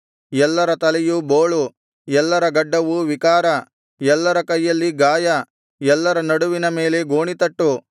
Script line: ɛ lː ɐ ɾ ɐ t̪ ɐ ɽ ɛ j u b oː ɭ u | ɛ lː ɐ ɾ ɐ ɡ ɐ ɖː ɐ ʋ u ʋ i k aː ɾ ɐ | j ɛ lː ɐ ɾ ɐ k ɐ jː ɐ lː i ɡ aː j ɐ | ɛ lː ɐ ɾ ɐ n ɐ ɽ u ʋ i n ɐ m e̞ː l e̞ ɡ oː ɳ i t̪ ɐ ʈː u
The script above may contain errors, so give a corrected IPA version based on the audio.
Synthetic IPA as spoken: ɛ lː ɐ ɾ ɐ t̪ ɐ l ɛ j u b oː ɭ u | ɛ lː ɐ ɾ ɐ ɡ ɐ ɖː ɐ ʋ u ʋ i k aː ɾ ɐ | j ɛ lː ɐ ɾ ɐ k ɐ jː ɐ lː i ɡ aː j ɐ | ɛ lː ɐ ɾ ɐ n ɐ ɽ u ʋ i n ɐ m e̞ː l e̞ ɡ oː ɳ i t̪ ɐ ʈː u